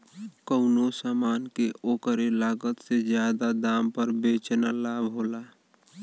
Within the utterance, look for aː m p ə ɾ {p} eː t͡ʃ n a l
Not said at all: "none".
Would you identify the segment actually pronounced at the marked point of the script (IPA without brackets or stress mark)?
b